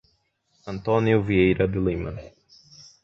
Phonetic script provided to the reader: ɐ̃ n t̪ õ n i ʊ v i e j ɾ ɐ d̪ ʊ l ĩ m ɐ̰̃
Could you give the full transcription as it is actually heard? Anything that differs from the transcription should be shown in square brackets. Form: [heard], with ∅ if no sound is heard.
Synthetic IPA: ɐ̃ n t̪ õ n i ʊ v i e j ɾ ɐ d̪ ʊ l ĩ m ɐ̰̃